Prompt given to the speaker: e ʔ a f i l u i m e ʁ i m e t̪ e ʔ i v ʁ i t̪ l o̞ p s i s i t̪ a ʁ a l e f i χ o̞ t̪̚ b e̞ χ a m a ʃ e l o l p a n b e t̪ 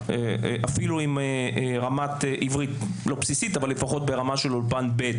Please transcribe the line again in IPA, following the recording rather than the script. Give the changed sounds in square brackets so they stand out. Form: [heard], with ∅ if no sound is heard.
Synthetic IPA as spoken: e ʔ a f i l u i m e ʁ [a] m [a] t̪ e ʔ i v ʁ i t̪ l o̞ p s i s i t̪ a [v] a l e f [a] χ o̞ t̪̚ b e̞ [ʁ] a m a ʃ e l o l p a n b e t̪

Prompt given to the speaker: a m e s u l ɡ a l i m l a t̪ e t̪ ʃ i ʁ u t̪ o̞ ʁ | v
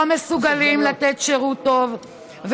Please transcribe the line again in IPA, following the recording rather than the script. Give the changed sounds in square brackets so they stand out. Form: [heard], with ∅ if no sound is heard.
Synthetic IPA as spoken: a m e s u [∅] ɡ a l i m l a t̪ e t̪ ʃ [e] ʁ u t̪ o̞ [v] | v

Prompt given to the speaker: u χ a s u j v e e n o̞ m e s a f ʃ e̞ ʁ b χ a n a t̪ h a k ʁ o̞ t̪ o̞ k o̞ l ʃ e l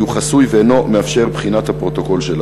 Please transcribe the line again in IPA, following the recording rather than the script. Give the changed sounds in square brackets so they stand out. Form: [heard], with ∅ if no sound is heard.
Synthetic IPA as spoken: u χ a s u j v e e n o̞ m e [∅] a f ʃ e̞ ʁ b χ [i] n a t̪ h a [p] ʁ o̞ t̪ o̞ k o̞ l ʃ e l

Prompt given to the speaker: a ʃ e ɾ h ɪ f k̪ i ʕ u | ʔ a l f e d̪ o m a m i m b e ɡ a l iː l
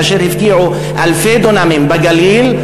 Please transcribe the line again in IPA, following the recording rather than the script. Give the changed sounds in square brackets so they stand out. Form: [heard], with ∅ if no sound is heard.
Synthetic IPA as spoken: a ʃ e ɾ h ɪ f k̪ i ʕ u | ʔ a l f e d̪ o [n] a m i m b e ɡ a l iː l

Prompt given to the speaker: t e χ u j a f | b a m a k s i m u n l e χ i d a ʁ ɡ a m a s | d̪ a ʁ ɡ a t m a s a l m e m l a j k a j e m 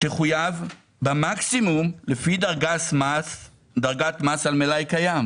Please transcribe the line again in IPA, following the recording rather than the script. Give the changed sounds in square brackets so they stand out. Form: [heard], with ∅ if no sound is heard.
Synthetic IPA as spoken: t e χ u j a [v] | b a m a k s i m u [m] l e [f] i d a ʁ ɡ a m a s | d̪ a ʁ ɡ a t m a s a l m e [∅] l a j k a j [a] m

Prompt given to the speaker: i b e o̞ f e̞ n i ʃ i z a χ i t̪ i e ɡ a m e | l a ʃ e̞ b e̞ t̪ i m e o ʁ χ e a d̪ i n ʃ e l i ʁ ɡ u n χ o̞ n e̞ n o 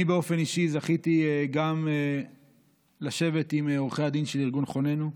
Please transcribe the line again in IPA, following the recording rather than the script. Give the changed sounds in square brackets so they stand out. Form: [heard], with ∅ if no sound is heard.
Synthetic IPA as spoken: i b e o̞ f e̞ n i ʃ i z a χ i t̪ i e ɡ a m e | l a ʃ e̞ [v] e̞ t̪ i m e o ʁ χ e a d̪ i n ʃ e l i ʁ ɡ u n χ o̞ n e̞ n [u]

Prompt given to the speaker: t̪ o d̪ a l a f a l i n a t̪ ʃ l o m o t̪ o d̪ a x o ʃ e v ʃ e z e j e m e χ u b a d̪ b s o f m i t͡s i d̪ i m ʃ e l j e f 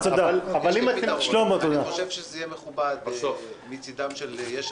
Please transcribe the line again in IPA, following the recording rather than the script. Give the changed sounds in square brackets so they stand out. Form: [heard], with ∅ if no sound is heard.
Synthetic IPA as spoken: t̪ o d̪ a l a [v] a l i [m] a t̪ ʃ l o m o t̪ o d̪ a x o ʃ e v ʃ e z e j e m e χ u b a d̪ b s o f m i t͡s i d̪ [a] m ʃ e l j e [ʃ]

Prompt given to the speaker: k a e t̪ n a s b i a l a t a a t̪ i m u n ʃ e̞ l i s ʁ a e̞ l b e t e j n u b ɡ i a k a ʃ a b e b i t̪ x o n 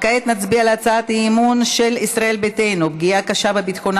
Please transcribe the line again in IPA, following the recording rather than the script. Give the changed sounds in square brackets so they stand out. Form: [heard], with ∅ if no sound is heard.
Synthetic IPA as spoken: k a e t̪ n a [t͡s] b i a l a [t͡s] a a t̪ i m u n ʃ e̞ l i s ʁ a e̞ l b e t e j n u b ɡ i a k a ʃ a b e b i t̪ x o n

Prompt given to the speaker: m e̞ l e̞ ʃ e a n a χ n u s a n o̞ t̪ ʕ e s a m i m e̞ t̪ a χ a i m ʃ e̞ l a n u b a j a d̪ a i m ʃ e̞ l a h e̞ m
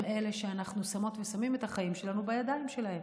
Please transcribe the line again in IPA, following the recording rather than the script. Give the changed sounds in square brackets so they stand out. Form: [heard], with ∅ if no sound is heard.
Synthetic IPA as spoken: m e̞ l e̞ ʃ e a n a χ n u s a [m] o̞ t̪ [v] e s a m i m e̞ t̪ a χ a i m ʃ e̞ l a n u b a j a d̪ a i m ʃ e̞ l a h e̞ m

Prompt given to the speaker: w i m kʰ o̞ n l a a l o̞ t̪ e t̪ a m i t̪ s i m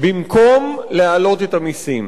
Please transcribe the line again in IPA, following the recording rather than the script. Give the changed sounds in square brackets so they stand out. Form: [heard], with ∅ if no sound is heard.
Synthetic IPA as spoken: [b] i m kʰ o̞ [m] l [e] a l o̞ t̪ e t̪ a m i [∅] s i m

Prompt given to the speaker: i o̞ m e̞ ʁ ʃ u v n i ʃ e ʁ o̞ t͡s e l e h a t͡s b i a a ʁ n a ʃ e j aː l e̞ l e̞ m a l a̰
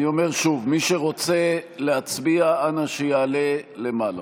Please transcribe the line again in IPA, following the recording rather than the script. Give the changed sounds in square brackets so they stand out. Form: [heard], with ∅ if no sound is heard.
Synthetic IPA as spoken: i o̞ m e̞ ʁ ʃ u v [m] i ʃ e ʁ o̞ t͡s e l e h a t͡s b i a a [∅] n a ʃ e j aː l e̞ l e̞ m a l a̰

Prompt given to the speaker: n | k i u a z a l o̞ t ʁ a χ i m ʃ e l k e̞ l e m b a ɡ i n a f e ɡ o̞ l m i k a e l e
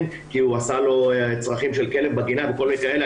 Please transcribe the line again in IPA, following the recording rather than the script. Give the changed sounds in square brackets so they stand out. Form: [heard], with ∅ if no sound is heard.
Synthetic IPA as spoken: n | k i u a [s] a l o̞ [t͡s] ʁ a χ i m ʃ e l k e̞ l e m b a ɡ i n a [v] e [k] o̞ l m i k a e l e

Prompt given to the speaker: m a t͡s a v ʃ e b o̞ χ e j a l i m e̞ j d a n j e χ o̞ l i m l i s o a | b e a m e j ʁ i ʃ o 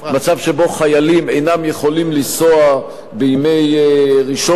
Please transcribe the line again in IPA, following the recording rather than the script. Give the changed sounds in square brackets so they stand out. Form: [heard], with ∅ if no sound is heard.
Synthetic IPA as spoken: m a t͡s a v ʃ e b o̞ χ [a] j a l i m e̞ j [n] a [m] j e χ o̞ l i m l i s o a | b e [i] m e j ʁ i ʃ o

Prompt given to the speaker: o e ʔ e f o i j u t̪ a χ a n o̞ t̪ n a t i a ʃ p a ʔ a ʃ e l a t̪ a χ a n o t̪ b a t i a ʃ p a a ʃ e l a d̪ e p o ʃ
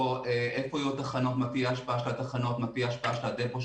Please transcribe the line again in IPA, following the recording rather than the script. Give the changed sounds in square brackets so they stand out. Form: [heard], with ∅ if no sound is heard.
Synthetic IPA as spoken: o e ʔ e f o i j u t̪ a χ a n o̞ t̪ [m] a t i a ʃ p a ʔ a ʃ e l a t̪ a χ a n o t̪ [m] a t i a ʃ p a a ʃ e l a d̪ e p o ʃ

